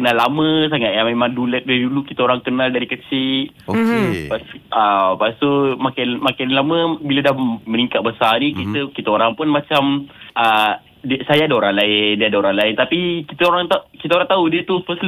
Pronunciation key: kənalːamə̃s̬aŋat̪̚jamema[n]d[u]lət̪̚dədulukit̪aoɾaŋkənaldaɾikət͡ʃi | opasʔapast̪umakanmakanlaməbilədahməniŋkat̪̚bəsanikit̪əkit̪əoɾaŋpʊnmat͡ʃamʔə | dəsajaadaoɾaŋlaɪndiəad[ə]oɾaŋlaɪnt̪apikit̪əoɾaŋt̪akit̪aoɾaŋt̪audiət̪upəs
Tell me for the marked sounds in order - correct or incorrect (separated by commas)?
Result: incorrect, correct, incorrect